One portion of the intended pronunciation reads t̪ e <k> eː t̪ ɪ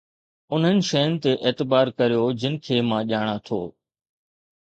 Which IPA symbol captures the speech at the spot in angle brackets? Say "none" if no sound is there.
ʔ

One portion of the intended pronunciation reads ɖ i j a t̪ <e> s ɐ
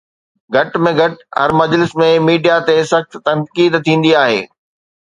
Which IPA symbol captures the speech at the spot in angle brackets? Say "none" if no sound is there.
e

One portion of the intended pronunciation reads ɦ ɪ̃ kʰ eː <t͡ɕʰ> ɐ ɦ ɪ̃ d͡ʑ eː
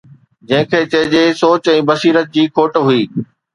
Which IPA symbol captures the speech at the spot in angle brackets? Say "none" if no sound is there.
t͡ɕ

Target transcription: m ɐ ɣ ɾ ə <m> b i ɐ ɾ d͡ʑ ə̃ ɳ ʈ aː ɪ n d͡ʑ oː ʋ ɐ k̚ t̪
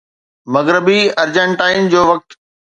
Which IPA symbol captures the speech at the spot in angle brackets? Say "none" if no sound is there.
none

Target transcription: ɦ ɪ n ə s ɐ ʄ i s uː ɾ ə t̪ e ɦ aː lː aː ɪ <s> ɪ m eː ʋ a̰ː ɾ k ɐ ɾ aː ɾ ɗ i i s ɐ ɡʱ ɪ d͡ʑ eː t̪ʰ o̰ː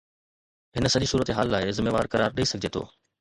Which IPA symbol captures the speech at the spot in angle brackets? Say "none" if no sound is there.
z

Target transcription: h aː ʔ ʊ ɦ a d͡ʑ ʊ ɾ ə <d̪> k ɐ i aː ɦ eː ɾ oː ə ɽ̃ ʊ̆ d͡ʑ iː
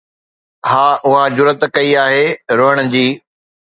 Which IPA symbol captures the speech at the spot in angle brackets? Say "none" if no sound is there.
t̪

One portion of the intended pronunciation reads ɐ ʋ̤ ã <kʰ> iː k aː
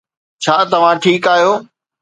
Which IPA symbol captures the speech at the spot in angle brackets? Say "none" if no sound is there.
ʈʰ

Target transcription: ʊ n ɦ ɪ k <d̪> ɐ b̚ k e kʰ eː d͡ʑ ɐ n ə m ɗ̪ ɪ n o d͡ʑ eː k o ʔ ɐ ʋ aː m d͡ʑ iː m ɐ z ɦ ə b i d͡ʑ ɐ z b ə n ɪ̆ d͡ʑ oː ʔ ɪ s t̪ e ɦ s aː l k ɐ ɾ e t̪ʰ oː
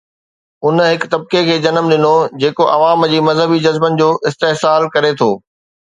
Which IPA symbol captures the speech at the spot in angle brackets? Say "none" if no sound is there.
t̪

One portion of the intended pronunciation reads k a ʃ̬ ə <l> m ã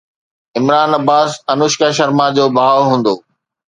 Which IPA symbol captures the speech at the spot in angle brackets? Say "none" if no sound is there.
ɾ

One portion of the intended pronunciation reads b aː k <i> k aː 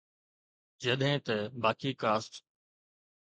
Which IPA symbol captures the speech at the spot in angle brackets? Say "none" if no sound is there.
iː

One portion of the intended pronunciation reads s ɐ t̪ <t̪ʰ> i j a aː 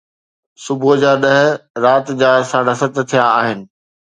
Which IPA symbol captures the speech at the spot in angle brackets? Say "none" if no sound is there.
t̪ʰ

